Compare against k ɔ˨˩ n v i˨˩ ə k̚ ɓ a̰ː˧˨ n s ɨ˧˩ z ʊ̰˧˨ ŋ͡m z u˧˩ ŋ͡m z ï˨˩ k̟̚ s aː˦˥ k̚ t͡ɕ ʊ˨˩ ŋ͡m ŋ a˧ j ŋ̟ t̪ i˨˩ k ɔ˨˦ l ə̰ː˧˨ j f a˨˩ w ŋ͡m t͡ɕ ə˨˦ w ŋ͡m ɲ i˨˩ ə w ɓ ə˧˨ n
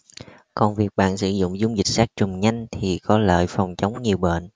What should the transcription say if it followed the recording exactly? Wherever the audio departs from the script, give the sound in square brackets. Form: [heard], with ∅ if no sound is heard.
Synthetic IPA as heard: k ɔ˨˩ n v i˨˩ ə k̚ ɓ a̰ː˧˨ n s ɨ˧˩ z ʊ̰˧˨ ŋ͡m z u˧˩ ŋ͡m z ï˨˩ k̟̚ s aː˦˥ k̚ t͡ɕ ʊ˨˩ ŋ͡m [ɲ] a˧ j ŋ̟ [t̪ʰ] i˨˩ k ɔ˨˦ l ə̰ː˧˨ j f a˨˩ w ŋ͡m t͡ɕ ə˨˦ w ŋ͡m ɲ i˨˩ ə w ɓ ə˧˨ n